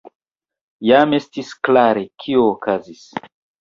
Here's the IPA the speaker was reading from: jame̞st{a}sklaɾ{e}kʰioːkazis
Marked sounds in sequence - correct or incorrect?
incorrect: i, correct

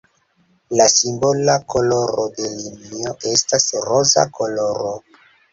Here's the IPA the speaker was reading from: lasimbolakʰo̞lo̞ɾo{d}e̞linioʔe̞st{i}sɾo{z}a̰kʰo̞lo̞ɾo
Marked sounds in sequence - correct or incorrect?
correct, incorrect: a, correct

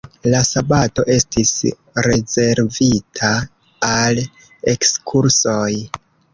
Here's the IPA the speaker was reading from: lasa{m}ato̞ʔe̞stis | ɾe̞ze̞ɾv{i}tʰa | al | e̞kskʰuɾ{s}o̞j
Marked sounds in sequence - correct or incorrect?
incorrect: b, correct, correct

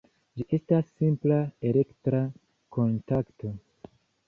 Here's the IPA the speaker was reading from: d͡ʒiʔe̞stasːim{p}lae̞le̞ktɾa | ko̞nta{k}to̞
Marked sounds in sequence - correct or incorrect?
correct, correct

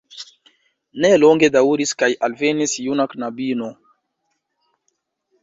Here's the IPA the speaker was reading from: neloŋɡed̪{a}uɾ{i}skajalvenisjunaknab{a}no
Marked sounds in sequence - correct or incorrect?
correct, correct, incorrect: i

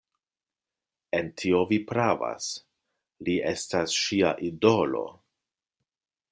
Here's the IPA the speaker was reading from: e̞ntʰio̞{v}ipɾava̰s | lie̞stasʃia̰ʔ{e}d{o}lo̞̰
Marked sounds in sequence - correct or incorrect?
correct, incorrect: i, correct

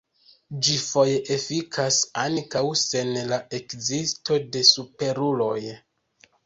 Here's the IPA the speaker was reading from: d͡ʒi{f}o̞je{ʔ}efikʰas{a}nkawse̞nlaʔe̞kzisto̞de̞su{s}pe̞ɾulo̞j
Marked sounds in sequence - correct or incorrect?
correct, correct, correct, incorrect: none

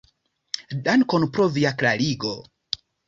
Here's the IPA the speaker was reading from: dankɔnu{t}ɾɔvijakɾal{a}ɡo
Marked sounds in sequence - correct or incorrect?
incorrect: p, incorrect: i

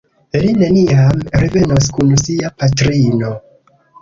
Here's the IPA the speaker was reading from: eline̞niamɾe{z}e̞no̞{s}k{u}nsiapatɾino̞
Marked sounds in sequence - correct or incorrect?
incorrect: v, correct, correct

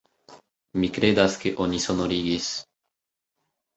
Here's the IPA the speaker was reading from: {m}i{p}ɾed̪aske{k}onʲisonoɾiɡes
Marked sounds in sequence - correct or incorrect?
correct, incorrect: k, incorrect: ʔ

